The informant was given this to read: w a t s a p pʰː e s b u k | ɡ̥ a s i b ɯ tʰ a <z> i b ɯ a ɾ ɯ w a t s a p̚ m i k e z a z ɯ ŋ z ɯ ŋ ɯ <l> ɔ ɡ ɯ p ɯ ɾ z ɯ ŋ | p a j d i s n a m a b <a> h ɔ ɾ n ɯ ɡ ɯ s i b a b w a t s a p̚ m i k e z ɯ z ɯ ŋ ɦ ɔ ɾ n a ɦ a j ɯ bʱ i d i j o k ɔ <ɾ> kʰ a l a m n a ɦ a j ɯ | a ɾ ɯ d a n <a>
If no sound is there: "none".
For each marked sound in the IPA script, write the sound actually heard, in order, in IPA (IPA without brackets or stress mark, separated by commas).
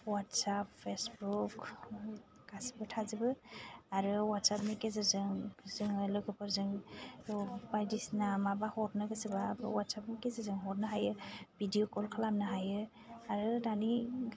z, l, a, l, i